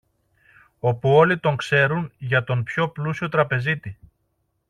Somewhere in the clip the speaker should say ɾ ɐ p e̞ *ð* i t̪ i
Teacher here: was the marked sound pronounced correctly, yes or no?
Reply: no